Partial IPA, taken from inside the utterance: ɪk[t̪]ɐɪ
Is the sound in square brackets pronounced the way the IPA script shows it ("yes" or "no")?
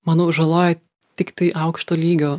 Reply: yes